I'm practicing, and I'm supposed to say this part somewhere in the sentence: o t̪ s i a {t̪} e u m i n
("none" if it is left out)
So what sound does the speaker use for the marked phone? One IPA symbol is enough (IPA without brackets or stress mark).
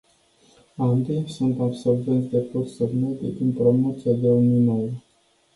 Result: d̪